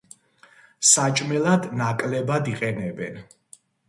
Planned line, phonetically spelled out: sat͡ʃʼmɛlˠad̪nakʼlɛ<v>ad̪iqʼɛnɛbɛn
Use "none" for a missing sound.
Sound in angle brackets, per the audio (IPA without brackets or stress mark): b